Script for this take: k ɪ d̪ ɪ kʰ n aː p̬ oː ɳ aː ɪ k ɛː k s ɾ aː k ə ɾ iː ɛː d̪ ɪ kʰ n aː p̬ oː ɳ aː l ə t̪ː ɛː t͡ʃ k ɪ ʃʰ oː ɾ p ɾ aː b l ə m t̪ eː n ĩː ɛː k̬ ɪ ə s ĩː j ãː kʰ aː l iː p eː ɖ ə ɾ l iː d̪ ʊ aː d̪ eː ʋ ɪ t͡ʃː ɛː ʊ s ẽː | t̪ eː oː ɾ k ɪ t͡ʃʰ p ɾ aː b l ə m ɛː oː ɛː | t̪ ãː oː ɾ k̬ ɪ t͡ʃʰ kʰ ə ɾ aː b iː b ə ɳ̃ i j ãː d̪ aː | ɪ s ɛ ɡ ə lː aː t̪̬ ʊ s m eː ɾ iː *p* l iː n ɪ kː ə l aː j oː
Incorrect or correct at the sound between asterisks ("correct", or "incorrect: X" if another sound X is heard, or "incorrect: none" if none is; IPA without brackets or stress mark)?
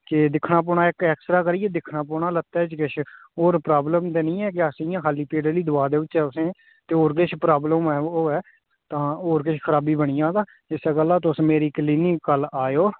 incorrect: k